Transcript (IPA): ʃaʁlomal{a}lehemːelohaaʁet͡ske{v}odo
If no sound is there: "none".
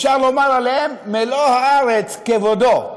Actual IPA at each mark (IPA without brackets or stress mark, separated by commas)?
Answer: a, v